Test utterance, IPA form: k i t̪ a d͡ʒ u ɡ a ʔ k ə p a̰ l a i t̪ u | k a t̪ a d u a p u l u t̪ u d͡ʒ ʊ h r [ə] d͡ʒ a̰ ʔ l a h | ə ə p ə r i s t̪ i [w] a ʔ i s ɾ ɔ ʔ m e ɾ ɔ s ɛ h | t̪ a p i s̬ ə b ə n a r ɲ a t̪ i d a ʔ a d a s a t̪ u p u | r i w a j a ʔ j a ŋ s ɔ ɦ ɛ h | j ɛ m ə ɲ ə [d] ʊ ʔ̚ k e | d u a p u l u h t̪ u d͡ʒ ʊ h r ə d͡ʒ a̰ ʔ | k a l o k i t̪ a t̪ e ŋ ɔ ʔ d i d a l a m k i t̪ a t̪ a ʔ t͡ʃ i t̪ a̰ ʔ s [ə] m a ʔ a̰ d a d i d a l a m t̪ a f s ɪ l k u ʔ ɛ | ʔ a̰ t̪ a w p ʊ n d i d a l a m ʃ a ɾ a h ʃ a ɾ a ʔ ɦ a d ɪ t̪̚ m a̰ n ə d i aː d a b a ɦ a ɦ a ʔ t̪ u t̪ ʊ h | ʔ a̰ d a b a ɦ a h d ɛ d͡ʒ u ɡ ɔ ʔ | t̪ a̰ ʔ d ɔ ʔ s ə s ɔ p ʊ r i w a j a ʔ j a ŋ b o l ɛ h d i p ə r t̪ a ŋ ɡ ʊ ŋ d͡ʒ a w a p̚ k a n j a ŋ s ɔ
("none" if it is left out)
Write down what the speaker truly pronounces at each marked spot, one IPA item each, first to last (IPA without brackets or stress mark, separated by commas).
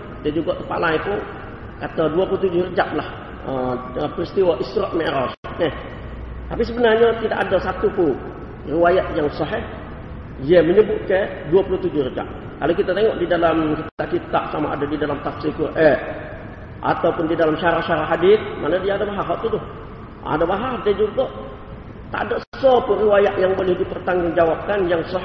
ə, w, b, a